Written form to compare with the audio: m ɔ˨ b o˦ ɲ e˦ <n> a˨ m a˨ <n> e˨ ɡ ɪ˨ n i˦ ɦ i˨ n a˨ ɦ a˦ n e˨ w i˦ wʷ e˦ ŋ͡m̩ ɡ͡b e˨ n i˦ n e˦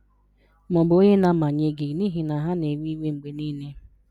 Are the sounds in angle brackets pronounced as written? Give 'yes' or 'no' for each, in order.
yes, no

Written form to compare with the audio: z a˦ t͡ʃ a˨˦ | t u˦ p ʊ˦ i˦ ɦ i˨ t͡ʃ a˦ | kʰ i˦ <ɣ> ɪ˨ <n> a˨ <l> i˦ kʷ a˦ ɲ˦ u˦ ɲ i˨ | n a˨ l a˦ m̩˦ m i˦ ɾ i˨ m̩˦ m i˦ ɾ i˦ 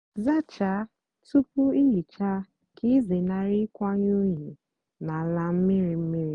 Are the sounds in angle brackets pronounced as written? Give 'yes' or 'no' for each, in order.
no, yes, no

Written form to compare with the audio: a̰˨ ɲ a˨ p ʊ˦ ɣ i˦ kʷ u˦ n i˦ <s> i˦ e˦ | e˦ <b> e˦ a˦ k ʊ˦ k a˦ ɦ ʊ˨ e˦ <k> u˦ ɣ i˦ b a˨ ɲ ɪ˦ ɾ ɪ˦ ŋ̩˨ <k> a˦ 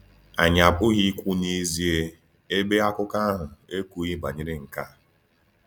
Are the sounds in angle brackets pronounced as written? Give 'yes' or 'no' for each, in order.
no, yes, yes, yes

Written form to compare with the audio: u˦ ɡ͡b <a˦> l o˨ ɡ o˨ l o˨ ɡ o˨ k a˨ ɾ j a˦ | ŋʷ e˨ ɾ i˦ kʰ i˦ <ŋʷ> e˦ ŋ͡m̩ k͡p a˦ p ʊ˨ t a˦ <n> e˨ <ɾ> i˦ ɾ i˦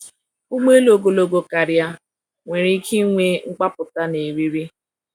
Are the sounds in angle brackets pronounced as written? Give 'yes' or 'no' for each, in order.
no, yes, yes, yes

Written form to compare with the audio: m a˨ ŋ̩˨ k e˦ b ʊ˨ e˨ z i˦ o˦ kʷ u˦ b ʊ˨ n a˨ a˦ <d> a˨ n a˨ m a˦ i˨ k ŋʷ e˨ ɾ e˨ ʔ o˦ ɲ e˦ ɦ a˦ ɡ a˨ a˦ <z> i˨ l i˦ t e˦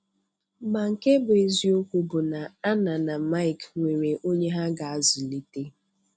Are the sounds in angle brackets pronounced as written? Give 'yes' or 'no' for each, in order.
no, yes

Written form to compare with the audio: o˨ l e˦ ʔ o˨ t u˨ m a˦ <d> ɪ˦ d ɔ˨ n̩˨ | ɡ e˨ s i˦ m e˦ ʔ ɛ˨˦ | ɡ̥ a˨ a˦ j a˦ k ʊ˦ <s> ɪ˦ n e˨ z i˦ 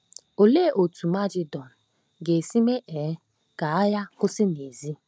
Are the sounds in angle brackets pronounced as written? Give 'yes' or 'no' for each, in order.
no, yes

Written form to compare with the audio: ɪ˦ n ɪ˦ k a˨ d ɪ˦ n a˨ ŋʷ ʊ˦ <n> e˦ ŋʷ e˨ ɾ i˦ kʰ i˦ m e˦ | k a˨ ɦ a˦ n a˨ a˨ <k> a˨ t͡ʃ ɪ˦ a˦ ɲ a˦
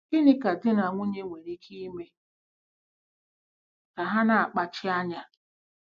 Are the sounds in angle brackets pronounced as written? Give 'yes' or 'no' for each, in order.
no, no

